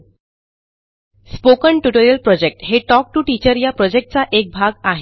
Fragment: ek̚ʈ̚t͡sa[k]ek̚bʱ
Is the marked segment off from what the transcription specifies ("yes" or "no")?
yes